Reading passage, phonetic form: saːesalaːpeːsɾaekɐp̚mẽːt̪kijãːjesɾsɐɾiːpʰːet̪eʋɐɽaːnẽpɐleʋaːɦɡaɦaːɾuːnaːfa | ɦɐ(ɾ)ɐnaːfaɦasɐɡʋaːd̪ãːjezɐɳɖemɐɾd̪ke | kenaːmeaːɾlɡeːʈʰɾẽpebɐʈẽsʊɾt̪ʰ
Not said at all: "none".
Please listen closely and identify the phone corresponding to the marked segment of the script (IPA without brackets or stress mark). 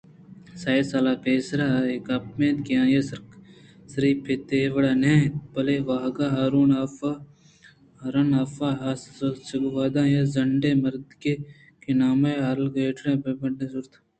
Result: ɾ